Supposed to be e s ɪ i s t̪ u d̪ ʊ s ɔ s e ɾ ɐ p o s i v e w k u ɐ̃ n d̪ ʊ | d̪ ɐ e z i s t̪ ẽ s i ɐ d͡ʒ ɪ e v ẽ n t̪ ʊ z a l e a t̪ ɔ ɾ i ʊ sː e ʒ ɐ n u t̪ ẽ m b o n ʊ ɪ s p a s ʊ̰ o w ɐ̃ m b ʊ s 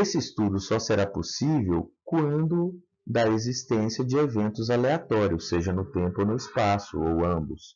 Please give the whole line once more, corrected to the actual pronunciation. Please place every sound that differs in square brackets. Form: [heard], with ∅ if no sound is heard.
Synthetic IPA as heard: e s ɪ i s t̪ u d̪ ʊ s ɔ s e ɾ [a] p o s i v e w k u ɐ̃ n d̪ ʊ | d̪ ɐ e z i s t̪ ẽ s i ɐ d͡ʒ ɪ e v ẽ n t̪ ʊ z a l e a t̪ ɔ ɾ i ʊ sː e ʒ ɐ n [ʊ] t̪ ẽ m [p] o n ʊ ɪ s p a s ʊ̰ o w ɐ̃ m b ʊ s